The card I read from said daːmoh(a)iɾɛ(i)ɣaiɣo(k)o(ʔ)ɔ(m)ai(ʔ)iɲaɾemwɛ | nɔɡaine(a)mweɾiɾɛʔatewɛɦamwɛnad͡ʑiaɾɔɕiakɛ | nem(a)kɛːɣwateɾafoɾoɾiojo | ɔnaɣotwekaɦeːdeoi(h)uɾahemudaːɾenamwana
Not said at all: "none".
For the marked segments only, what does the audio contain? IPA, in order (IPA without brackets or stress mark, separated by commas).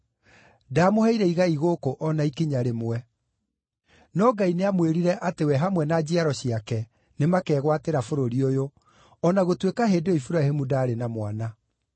ɛ, i, k, ʔ, n, k, a, a, f